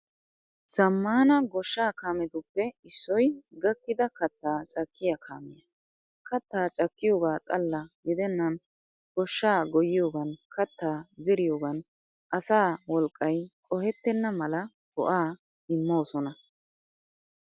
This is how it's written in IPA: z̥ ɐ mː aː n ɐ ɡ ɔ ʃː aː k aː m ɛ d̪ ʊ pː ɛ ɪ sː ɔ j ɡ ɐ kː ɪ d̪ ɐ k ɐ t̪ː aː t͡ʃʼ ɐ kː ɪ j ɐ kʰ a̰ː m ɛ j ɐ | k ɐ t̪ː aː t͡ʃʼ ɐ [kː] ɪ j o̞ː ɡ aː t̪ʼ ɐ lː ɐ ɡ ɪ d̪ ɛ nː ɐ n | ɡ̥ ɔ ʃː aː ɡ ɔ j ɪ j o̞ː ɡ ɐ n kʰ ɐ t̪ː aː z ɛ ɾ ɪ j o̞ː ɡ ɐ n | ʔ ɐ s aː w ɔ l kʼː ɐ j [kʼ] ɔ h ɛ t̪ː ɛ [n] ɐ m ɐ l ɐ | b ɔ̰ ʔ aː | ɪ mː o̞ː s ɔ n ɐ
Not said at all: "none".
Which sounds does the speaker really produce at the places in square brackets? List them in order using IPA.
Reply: kː, kʼ, nː

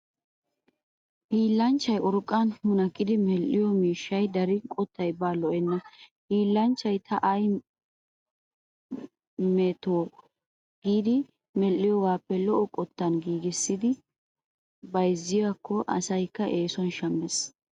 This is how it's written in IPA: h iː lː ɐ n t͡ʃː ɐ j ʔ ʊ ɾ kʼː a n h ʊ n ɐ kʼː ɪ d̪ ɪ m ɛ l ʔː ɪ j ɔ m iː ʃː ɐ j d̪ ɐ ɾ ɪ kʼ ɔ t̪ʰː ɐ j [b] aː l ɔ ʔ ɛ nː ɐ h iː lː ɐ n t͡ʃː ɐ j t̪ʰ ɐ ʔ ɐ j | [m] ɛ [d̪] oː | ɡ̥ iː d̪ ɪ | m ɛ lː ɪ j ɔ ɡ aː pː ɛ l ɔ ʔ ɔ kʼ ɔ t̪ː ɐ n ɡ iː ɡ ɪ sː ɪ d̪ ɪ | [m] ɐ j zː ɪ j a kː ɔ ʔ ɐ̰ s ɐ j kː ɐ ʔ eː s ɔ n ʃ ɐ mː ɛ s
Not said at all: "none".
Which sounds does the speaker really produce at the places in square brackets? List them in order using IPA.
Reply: b, m, t̪, b

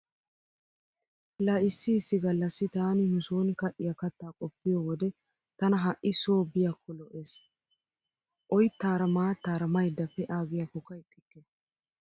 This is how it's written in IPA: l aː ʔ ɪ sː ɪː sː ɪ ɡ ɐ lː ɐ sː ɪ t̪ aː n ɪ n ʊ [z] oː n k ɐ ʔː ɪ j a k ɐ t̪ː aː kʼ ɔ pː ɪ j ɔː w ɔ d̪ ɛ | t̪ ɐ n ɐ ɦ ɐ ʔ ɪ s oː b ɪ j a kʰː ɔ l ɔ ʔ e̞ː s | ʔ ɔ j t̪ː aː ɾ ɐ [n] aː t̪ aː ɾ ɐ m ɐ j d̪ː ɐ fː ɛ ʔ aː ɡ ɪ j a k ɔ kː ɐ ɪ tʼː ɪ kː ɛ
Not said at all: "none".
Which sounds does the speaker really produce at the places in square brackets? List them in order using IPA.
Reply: s, m

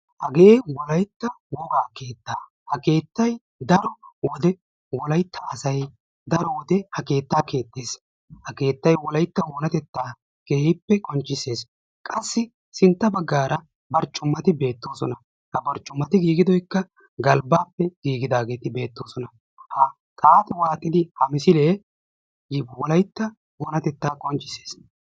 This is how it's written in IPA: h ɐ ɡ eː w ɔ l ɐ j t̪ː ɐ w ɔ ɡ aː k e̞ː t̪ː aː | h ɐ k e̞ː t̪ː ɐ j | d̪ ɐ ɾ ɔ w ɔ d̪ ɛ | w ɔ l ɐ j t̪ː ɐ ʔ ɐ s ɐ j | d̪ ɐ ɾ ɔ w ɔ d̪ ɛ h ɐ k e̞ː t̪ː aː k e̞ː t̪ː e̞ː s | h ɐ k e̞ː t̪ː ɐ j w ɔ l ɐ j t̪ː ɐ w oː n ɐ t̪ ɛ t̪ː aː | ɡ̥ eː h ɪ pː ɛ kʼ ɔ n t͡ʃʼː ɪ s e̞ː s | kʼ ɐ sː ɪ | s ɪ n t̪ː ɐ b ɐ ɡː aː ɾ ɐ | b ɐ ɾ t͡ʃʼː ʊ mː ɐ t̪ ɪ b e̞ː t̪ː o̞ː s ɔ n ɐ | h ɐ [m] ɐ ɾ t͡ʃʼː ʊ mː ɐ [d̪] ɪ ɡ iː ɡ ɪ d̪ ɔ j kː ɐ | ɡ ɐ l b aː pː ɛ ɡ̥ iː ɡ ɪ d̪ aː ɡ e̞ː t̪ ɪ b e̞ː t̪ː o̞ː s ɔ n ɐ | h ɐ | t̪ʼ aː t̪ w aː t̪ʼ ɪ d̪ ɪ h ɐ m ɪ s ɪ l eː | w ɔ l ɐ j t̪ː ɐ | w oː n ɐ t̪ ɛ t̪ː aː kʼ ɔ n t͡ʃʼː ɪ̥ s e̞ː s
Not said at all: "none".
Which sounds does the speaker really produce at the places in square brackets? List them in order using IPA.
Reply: b, t̪

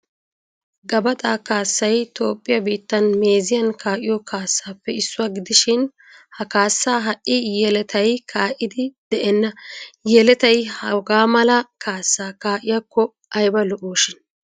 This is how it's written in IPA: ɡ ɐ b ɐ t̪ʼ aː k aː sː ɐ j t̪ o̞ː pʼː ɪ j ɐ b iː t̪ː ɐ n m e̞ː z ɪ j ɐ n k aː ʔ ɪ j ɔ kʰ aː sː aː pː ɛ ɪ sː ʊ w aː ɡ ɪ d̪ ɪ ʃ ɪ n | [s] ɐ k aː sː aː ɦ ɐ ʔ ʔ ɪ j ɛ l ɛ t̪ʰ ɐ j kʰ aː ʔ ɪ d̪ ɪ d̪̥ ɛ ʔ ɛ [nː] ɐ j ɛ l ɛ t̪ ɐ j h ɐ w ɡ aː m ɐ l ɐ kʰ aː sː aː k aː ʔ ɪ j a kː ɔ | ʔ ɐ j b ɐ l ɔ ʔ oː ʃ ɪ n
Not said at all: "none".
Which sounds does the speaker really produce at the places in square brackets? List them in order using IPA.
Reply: h, nː

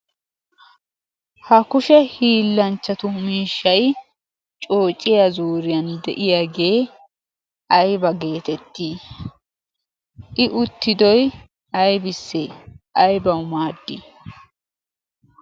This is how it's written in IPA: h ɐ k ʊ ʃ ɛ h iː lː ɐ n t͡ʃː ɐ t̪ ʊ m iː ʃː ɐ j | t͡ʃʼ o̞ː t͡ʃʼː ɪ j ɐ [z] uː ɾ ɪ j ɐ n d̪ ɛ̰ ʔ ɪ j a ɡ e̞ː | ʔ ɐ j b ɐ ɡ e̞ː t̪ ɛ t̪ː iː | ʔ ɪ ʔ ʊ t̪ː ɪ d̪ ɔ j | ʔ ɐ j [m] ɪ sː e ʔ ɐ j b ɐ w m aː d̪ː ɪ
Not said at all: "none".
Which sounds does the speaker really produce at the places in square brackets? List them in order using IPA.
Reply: z, b

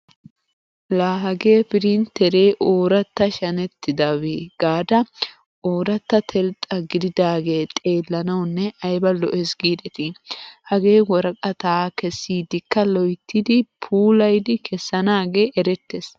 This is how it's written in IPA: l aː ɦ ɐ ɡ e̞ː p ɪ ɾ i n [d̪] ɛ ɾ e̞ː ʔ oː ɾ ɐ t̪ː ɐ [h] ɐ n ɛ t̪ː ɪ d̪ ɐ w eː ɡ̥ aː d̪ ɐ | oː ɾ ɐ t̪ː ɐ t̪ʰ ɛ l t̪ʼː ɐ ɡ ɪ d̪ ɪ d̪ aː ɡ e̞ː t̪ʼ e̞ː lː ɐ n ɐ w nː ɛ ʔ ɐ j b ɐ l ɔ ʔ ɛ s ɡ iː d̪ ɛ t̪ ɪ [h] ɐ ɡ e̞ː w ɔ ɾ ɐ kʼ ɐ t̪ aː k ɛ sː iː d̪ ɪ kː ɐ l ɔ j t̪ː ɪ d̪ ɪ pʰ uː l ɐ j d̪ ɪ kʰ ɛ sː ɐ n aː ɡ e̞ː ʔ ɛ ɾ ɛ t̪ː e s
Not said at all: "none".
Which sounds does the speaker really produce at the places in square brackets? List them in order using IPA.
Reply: t̪, ʃ, h

